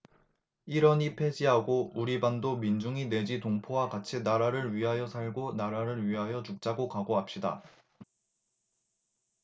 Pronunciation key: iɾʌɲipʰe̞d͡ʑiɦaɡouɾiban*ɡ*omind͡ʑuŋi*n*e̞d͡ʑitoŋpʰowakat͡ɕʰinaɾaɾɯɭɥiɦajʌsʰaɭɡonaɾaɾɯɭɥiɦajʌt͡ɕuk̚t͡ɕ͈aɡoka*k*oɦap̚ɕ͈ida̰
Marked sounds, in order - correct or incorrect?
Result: incorrect: d, correct, incorrect: ɡ

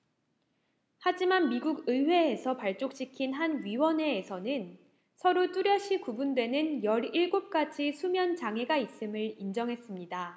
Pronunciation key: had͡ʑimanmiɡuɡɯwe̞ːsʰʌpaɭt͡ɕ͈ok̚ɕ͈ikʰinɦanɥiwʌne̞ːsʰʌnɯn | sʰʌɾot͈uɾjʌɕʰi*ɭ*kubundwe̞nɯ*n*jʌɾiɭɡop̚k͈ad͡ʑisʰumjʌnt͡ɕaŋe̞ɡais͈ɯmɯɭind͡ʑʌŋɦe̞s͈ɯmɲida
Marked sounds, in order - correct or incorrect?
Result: incorrect: none, correct

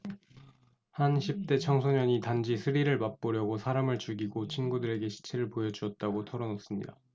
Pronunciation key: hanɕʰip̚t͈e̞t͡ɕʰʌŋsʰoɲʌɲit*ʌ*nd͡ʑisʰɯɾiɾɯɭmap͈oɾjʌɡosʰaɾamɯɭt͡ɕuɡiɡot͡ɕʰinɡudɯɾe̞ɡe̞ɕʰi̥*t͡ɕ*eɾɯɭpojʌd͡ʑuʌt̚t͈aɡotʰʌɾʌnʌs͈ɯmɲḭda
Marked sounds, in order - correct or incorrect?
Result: incorrect: a, incorrect: t͡ɕʰ

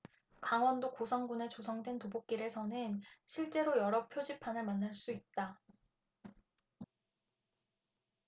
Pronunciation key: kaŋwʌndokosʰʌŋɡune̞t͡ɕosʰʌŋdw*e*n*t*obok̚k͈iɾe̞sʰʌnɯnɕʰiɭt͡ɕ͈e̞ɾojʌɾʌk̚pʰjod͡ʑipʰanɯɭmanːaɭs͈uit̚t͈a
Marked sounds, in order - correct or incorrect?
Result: correct, correct

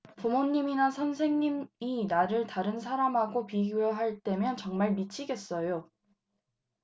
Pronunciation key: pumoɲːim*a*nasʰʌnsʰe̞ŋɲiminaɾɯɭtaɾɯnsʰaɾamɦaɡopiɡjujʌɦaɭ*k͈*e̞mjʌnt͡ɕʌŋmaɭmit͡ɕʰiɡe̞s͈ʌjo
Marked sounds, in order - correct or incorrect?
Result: incorrect: i, incorrect: t͈

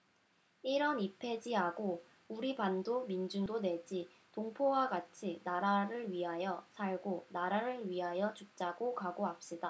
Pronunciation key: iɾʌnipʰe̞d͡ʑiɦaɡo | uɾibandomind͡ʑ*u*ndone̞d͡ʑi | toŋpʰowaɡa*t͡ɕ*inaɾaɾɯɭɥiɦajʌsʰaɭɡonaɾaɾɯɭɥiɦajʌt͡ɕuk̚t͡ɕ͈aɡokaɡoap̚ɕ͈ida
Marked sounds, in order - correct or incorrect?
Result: correct, incorrect: t͡ɕʰ

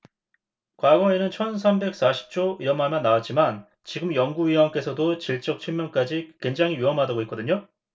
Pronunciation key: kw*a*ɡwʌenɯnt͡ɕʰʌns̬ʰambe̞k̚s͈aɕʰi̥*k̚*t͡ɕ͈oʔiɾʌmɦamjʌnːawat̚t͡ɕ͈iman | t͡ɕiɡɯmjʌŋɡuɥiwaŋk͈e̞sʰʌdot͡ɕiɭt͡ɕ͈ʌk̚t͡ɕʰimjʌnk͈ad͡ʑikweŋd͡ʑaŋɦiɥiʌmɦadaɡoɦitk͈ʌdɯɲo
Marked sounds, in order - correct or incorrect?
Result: correct, incorrect: p̚

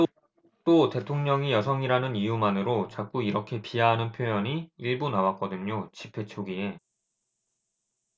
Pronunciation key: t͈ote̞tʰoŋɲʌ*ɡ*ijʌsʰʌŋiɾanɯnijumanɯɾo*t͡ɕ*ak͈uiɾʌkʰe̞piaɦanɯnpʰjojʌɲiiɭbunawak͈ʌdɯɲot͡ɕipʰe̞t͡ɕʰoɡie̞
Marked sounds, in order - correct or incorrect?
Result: incorrect: ŋ, correct

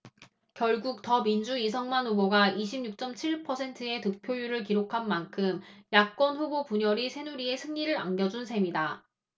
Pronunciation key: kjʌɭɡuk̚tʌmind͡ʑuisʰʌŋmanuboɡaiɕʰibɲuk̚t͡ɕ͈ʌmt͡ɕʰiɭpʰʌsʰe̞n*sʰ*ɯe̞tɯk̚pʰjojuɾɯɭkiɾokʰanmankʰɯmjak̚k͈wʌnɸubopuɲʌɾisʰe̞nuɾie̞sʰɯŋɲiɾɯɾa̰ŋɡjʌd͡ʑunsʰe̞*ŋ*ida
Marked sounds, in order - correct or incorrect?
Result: incorrect: tʰ, incorrect: m

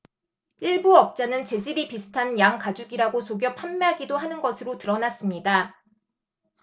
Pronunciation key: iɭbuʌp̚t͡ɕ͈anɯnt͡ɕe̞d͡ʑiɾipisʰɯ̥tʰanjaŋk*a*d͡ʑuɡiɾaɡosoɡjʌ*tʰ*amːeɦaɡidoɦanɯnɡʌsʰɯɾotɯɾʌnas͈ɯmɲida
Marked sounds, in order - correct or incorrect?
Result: correct, incorrect: pʰ

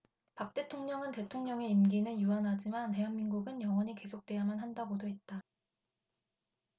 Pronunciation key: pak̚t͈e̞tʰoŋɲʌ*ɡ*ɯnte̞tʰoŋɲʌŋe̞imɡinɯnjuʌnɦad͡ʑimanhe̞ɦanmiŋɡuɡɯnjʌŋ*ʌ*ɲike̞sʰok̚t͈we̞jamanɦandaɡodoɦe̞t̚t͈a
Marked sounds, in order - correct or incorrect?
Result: incorrect: ŋ, correct

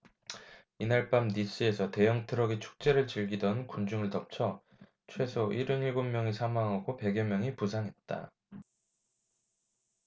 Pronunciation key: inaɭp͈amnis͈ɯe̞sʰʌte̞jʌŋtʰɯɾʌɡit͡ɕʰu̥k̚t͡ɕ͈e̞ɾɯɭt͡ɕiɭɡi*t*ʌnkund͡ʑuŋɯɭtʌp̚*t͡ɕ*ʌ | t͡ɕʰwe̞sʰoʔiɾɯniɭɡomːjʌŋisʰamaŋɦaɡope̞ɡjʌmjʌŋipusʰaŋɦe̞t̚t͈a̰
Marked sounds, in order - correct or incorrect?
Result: incorrect: d, incorrect: t͡ɕʰ

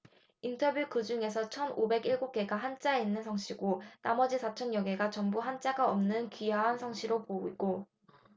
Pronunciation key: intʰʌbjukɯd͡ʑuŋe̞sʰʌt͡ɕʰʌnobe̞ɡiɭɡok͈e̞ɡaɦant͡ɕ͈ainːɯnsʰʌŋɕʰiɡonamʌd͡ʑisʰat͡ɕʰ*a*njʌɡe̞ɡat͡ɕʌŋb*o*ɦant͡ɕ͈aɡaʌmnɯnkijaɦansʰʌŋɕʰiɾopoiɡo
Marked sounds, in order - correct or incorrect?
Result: incorrect: ʌ, incorrect: u

